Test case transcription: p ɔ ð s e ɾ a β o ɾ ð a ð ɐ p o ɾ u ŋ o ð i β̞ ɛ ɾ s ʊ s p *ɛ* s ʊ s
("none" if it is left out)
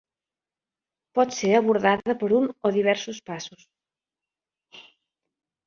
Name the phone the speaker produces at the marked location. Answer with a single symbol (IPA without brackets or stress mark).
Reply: a